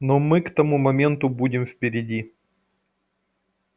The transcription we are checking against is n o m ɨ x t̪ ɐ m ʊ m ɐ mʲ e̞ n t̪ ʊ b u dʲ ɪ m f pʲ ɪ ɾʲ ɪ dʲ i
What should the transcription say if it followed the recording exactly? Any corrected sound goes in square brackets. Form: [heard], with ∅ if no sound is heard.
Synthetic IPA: n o m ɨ [k] t̪ ɐ m [u] m ɐ mʲ e̞ n t̪ ʊ b u dʲ ɪ m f pʲ ɪ ɾʲ ɪ dʲ i